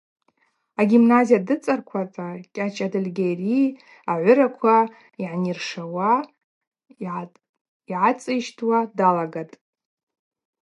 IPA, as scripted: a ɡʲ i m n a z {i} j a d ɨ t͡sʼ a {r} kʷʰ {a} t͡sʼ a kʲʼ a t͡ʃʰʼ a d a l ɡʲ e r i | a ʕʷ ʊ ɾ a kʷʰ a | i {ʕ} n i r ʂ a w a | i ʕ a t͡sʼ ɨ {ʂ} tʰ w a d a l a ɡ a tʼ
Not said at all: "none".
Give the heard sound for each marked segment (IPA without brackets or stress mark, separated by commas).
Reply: i, r, a, ʕ, ʃ